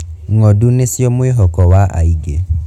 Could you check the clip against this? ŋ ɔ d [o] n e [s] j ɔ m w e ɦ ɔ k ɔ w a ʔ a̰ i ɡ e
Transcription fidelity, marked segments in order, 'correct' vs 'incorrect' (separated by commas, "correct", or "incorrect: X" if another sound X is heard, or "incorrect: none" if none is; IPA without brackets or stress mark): incorrect: u, correct